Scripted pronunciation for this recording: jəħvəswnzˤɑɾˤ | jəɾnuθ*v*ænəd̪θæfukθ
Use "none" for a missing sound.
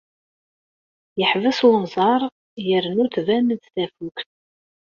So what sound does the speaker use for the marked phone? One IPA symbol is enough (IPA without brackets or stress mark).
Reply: v